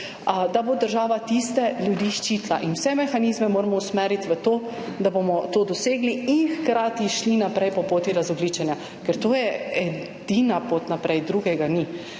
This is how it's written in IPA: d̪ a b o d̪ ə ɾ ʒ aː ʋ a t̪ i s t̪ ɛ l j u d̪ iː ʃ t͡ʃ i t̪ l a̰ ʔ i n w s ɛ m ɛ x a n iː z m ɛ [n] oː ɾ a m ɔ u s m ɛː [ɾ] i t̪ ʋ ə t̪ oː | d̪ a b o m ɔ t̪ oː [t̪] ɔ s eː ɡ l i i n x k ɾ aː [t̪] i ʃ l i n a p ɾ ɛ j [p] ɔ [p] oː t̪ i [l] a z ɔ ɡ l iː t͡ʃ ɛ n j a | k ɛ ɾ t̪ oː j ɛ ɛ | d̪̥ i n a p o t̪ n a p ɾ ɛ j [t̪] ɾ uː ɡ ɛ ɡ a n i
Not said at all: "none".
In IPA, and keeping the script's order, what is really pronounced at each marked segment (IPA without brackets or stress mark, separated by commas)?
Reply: m, ɾ, d̪, t̪, p, p, ɾ, d̪